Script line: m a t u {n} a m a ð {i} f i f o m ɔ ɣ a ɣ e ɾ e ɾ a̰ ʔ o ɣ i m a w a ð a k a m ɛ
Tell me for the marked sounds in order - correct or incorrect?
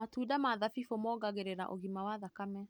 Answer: incorrect, incorrect

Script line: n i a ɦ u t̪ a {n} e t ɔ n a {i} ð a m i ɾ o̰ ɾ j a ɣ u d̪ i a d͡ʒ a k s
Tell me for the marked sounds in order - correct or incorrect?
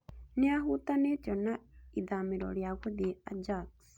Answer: correct, correct

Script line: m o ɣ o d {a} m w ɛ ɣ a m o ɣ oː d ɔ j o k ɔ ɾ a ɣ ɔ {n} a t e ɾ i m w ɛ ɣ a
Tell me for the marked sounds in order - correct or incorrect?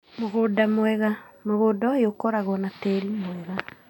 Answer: correct, correct

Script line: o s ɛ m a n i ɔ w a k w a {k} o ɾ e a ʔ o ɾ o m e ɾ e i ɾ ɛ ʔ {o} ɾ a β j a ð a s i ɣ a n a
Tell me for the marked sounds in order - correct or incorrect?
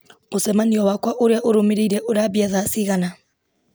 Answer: incorrect, correct

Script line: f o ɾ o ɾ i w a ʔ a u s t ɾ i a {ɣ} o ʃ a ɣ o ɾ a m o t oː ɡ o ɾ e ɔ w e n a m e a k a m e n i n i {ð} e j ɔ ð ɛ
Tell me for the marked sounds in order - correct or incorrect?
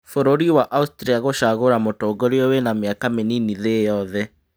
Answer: correct, correct

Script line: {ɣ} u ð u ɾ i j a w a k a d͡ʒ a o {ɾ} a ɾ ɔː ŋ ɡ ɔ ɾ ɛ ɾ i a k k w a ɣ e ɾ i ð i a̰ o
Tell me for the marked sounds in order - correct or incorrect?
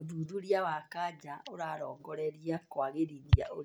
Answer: incorrect, correct

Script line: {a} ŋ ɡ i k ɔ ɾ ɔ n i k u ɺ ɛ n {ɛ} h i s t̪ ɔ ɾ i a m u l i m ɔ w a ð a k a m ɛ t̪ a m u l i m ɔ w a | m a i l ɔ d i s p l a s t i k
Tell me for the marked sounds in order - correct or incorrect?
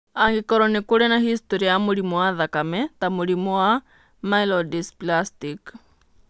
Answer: correct, incorrect

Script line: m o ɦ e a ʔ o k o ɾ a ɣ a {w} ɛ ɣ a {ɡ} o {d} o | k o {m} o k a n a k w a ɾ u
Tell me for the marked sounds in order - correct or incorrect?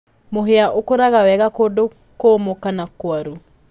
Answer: correct, incorrect, correct, correct

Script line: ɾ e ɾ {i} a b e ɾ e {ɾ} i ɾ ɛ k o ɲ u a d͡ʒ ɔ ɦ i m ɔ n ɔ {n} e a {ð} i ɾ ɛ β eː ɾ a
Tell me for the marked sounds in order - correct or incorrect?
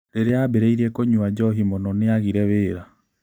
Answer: incorrect, incorrect, correct, incorrect

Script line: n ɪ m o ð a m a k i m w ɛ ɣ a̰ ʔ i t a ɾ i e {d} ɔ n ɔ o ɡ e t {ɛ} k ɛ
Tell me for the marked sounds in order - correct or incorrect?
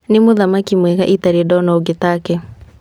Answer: correct, incorrect

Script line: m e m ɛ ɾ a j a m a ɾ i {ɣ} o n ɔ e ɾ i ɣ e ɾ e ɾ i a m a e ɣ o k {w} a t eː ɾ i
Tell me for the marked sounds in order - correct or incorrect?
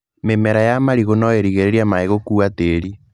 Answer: correct, incorrect

